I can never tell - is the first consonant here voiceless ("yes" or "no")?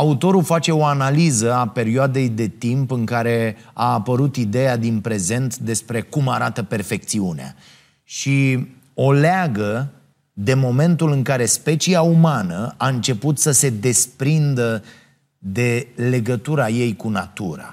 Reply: yes